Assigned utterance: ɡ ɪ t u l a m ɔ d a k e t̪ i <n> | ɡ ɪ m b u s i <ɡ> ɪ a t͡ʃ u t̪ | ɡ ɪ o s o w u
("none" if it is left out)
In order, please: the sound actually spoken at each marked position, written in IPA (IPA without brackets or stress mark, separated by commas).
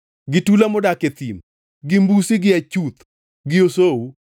m, ɡ